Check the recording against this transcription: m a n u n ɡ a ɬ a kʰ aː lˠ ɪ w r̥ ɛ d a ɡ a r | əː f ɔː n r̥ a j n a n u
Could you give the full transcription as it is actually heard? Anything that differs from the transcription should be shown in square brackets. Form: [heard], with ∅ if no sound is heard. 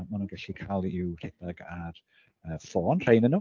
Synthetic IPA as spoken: m a n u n ɡ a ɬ [i] kʰ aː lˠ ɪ w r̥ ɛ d a ɡ a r | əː f ɔː n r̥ [e] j n [ə] n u